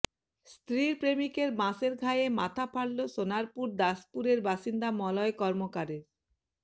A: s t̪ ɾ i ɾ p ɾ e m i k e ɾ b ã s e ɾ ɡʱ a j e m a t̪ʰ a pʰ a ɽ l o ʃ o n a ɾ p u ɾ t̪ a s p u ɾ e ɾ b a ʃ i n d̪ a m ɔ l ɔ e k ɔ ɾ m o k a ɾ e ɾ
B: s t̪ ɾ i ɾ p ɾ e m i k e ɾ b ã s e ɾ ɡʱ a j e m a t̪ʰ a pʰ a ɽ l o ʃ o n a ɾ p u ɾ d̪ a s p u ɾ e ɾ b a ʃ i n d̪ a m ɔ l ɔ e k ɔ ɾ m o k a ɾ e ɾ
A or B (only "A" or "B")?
B